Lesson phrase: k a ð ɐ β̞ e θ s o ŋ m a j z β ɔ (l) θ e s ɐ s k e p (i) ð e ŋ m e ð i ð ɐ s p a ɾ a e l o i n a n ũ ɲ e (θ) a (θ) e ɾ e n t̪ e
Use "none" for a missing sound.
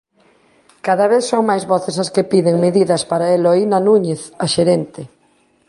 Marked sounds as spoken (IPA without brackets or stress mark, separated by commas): none, i, θ, ʃ